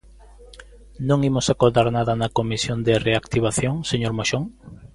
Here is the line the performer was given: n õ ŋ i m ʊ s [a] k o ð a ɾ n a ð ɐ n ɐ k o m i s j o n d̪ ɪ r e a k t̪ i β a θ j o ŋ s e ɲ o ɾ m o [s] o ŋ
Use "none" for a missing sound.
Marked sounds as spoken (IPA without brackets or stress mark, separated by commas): a, ʃ